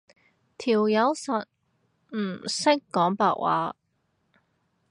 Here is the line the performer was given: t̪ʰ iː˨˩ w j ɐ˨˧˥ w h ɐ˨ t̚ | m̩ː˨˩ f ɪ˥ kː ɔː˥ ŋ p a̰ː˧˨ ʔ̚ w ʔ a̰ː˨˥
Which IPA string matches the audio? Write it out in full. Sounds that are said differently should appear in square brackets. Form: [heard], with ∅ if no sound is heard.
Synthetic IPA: t̪ʰ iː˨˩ w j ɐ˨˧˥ w [s] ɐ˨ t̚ | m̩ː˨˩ [s] ɪ˥ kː [ɔː˨˥] ŋ p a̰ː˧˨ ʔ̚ w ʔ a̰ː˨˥